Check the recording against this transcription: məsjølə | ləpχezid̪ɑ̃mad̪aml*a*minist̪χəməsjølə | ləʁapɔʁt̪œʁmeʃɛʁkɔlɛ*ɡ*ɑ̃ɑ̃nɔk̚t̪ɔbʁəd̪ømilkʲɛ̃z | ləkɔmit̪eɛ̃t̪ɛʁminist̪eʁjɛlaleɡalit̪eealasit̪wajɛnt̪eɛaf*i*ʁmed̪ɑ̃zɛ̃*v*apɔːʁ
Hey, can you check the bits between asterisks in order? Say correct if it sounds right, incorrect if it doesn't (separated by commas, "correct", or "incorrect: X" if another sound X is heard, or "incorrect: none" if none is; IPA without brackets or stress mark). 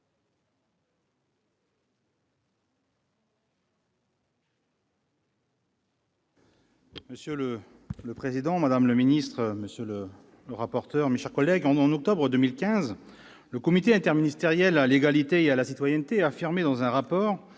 incorrect: ə, correct, correct, incorrect: ʁ